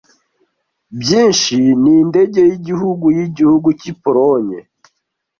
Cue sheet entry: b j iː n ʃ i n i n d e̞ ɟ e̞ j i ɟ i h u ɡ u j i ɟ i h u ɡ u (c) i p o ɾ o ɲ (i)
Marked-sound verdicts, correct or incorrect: correct, incorrect: e

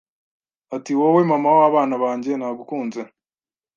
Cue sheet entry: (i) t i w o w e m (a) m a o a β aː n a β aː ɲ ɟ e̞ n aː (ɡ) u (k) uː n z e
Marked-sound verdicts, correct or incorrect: incorrect: a, correct, correct, correct

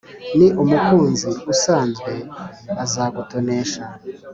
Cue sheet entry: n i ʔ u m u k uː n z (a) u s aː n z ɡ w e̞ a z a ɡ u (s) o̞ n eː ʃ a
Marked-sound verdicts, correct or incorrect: incorrect: i, incorrect: t

